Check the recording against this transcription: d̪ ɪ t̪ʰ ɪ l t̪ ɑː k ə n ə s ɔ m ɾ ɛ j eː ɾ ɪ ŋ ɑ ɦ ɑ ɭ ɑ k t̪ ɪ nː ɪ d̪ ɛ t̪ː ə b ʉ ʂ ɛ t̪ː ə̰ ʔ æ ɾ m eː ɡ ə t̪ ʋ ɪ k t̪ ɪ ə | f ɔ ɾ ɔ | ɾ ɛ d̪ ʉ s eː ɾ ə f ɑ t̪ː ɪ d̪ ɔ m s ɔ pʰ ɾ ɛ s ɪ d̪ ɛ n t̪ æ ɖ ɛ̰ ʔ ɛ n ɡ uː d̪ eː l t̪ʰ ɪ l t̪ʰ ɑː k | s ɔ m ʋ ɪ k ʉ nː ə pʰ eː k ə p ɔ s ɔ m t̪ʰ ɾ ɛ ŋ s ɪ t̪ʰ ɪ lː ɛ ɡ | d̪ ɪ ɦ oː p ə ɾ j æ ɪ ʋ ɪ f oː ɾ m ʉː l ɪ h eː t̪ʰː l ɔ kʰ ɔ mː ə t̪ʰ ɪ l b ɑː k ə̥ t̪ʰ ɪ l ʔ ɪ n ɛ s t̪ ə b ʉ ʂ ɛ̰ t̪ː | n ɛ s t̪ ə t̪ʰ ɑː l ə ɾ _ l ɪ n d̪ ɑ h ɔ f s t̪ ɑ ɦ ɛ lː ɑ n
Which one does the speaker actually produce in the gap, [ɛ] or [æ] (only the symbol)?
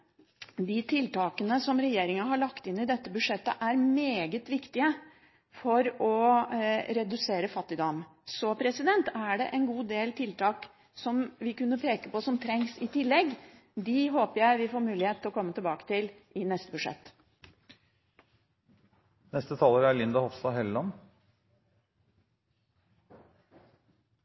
æ